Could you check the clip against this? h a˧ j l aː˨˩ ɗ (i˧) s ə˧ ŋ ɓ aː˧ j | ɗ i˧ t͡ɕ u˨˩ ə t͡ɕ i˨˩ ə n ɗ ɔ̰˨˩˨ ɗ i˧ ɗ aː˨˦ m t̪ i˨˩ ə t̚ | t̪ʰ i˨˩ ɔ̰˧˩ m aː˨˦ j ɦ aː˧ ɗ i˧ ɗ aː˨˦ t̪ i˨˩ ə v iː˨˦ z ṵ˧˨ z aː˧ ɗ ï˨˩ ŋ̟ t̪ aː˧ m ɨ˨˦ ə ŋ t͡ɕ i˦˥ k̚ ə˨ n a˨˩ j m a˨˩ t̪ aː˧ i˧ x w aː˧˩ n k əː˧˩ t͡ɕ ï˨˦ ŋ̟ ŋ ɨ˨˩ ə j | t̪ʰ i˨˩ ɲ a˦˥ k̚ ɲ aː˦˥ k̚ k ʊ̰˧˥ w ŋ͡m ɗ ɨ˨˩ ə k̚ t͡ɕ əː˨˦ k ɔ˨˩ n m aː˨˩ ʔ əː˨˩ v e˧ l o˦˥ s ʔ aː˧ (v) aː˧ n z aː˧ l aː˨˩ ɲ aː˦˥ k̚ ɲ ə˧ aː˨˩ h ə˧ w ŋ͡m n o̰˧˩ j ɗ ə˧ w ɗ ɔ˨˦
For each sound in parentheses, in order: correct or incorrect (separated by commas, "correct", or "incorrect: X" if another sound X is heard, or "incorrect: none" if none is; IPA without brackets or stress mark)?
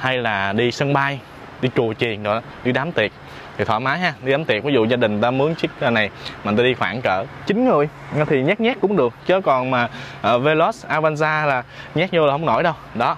correct, correct